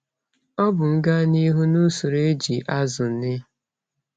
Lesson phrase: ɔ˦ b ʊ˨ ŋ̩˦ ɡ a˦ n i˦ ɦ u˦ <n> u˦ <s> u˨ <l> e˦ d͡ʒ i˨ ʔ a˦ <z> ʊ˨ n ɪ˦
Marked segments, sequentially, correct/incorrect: correct, correct, incorrect, correct

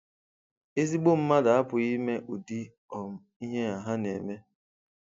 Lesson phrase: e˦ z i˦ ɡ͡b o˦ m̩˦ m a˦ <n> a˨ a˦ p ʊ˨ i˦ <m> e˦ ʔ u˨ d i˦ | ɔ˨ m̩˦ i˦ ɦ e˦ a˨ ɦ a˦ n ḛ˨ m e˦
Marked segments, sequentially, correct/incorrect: incorrect, correct

